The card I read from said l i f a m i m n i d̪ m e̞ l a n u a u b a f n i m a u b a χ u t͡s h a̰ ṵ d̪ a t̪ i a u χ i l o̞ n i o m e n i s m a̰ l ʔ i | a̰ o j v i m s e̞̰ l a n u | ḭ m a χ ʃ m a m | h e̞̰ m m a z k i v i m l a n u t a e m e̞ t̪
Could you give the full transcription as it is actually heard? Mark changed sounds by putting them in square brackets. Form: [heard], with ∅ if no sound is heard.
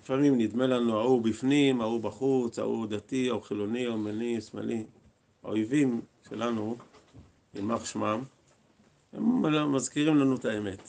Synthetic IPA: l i f a m i m n i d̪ m e̞ l a n u a u b [i] f n i m a u b a χ u t͡s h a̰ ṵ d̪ a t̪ i a u χ i l o̞ n i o m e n i s m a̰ l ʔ i | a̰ o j v i m [ʃ] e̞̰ l a n u | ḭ m a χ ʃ m a m | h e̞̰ m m a z k i [ʁ] i m l a n u t a e m e̞ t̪